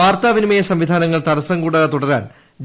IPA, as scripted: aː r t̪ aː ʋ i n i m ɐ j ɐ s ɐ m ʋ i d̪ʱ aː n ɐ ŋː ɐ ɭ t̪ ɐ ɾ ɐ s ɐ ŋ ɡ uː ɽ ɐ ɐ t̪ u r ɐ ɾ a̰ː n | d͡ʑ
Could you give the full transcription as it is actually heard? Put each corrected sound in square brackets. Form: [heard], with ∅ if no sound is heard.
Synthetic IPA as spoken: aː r t̪ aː ʋ i n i m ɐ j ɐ s ɐ m ʋ i d̪ʱ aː n ɐ ŋː ɐ ɭ t̪ ɐ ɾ ɐ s ɐ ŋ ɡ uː ɽ ɐ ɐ t̪ u [ɽ] ɐ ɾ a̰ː n | d͡ʑ